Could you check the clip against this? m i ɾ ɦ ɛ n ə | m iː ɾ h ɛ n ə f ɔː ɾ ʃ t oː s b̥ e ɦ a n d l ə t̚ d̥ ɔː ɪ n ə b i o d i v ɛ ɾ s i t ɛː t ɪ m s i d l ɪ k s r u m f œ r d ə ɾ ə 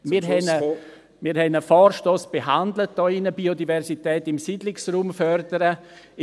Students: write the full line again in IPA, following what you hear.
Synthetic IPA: m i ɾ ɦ ɛ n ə | m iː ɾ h ɛ n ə f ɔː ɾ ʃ t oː s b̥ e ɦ a n d l ə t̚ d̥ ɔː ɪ n ə b i o d i v ɛ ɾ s i t ɛː t ɪ m s i d l ɪ k s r uː m f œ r d ə ɾ ə